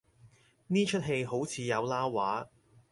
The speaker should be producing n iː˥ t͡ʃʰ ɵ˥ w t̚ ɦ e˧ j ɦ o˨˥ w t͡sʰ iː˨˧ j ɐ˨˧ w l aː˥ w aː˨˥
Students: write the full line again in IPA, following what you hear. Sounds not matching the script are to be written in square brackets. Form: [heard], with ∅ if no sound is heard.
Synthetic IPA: n iː˥ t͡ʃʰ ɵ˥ [∅] t̚ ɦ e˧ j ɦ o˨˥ w t͡sʰ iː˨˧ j ɐ˨˧ w l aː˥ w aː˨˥